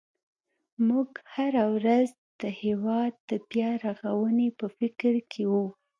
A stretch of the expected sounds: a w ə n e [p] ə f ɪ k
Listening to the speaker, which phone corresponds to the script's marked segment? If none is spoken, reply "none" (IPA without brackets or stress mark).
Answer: p